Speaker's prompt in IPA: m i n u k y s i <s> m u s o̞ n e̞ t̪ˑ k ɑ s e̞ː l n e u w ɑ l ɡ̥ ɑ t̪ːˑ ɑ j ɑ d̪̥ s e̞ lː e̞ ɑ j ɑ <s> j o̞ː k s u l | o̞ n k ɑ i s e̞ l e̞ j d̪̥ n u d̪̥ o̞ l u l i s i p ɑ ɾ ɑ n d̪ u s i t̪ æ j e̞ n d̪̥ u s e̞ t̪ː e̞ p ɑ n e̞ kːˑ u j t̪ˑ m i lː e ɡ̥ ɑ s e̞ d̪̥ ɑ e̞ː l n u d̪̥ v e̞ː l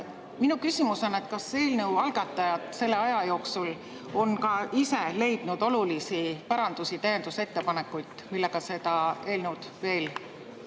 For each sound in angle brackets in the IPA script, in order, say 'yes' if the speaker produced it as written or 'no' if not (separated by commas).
no, no